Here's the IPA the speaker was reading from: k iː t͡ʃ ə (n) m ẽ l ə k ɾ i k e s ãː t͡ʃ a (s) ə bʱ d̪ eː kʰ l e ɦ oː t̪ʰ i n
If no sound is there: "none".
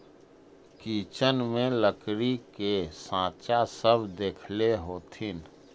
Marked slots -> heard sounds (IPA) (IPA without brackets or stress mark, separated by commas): n, s